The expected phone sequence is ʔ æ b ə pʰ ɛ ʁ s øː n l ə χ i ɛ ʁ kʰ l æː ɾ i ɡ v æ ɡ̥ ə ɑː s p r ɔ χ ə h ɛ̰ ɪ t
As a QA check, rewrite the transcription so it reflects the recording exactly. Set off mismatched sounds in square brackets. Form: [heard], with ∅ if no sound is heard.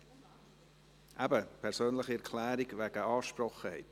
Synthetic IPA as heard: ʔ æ b ə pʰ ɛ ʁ s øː n l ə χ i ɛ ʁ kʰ l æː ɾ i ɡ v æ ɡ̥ ə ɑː [ʃ] p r ɔ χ ə h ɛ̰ ɪ t

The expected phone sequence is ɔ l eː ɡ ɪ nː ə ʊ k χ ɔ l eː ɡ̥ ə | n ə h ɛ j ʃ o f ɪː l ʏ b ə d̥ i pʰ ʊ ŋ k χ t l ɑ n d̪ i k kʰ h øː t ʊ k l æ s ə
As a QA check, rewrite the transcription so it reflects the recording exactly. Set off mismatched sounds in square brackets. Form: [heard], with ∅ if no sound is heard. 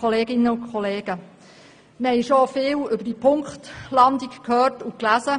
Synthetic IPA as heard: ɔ l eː ɡ ɪ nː ə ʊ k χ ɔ l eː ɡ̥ ə | [m] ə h ɛ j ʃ o f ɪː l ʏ b ə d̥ i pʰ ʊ ŋ k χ t l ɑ n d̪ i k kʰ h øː t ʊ k l æ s ə

